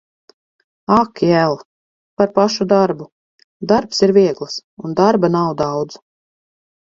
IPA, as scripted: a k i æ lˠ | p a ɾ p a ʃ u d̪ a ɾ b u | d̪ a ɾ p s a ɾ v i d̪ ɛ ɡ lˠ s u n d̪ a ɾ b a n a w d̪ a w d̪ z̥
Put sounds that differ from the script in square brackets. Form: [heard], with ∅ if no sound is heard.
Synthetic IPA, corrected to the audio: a k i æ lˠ | p a ɾ p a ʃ u d̪ a ɾ b u | d̪ a ɾ p s [i] ɾ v i [∅] ɛ ɡ lˠ s u n d̪ a ɾ b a n a w d̪ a w d̪ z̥